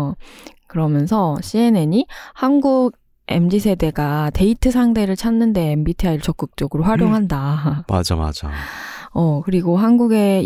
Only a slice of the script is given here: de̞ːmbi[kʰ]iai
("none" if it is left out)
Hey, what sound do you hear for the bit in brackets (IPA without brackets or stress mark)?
tʰ